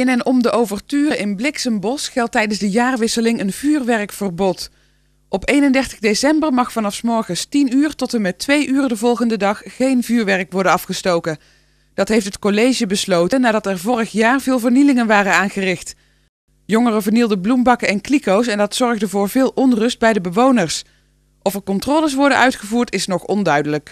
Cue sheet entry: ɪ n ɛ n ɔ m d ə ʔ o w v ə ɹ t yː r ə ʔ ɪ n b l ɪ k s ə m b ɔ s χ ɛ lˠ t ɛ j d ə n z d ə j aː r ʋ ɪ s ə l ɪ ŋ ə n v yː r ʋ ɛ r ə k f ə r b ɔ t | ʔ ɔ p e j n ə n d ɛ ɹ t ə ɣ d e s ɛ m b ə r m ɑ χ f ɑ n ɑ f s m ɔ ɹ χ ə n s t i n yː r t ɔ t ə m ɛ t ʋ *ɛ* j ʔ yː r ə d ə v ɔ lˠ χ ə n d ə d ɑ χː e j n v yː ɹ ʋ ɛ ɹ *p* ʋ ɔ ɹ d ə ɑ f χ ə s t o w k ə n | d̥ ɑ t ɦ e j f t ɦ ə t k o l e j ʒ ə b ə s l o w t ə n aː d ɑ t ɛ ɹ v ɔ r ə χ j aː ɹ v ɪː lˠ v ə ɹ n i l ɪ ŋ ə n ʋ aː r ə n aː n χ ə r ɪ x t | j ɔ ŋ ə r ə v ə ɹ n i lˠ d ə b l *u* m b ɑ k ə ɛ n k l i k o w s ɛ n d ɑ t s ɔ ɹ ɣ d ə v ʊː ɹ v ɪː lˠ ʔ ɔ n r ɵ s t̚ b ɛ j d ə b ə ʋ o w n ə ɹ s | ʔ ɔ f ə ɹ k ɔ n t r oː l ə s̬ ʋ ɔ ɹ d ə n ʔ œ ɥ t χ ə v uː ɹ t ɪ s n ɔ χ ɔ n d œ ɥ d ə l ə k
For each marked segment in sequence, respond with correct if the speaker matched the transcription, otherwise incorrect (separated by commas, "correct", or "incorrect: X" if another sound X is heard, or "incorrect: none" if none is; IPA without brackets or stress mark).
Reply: incorrect: e, incorrect: k, correct